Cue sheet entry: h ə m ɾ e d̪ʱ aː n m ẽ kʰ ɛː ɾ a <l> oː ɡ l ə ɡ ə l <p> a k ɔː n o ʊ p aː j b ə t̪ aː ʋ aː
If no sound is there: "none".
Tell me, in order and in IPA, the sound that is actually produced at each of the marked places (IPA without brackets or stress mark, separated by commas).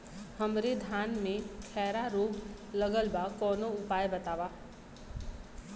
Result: ɾ, b